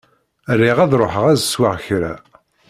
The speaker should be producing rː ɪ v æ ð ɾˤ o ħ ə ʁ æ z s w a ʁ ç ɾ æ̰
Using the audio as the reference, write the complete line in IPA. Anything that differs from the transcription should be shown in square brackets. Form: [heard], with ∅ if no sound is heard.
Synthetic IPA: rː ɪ [ʁ] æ ð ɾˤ o ħ ə ʁ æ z s w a ʁ ç ɾ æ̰